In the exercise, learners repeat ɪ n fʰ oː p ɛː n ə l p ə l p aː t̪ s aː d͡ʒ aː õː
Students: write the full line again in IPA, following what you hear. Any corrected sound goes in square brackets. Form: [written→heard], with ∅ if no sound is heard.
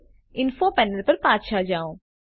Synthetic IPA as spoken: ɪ n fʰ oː p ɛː n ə l p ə [l→ɾ] p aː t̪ [s→ʃ] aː d͡ʒ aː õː